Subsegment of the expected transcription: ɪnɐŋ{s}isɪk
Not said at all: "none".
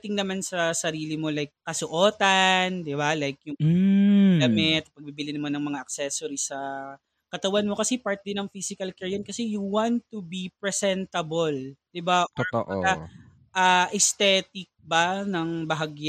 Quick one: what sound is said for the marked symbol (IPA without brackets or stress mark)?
f